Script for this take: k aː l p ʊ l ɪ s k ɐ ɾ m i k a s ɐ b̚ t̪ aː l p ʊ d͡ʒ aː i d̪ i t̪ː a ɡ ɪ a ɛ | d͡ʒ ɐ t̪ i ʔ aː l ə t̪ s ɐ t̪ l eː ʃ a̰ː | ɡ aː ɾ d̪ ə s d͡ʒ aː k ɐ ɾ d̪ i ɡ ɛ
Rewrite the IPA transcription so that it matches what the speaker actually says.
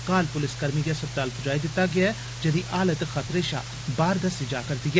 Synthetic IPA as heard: k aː l p ʊ l ɪ s k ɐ ɾ m i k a s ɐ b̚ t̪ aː l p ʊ d͡ʒ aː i d̪ ɪ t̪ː a ɡ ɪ a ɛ | d͡ʒ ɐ d̪ i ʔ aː l ə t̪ x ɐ t̪ ɾ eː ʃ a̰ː | b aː ɾ d̪ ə s d͡ʒ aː k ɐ ɾ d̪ i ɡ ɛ